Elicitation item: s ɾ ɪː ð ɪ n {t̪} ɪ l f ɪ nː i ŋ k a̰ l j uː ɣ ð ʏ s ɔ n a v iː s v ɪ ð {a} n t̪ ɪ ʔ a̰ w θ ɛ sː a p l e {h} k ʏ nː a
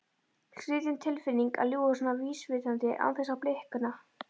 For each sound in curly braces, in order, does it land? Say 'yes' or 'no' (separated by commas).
no, yes, yes